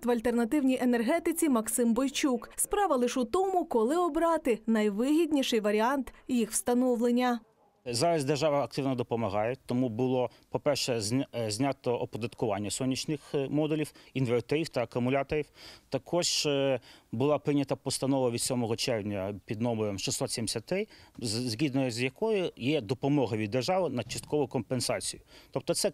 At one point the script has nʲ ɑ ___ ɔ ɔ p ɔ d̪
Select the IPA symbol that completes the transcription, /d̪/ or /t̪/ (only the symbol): t̪